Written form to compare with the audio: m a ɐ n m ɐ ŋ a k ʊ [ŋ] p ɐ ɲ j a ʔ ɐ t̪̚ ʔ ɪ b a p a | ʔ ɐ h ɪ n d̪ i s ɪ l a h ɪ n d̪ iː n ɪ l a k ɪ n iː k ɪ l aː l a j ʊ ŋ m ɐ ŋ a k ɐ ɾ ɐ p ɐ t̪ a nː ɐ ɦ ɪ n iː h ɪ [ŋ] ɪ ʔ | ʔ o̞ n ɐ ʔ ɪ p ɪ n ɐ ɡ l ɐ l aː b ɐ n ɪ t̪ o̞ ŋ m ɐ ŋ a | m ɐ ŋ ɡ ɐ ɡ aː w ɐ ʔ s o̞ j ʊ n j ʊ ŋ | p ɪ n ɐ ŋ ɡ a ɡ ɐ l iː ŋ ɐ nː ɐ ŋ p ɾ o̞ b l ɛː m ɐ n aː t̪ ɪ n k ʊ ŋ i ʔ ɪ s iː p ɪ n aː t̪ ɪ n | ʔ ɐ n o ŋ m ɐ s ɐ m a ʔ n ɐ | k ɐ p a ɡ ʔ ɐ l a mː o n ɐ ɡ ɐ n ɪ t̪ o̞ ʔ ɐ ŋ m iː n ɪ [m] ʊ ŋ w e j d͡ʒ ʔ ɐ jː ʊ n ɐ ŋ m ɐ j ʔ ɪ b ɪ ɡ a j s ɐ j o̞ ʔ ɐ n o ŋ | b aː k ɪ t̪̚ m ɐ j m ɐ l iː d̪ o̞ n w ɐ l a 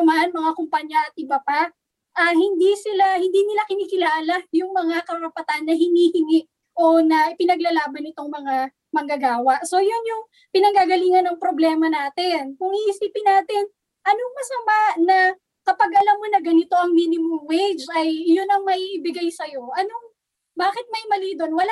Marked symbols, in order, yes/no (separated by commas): no, yes, yes